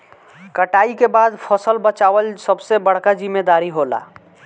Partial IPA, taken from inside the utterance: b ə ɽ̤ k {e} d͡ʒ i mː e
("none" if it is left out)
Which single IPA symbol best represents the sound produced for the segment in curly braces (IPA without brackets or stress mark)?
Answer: a